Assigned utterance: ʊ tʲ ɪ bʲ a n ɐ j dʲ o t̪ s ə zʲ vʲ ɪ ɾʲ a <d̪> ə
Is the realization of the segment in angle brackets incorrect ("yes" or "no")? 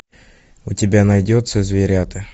yes